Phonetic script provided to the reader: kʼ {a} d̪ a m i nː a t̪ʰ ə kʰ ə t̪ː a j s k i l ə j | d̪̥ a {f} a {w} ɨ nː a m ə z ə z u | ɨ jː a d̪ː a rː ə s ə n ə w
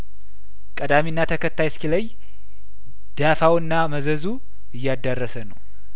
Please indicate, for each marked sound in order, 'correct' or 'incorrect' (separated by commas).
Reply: incorrect, correct, correct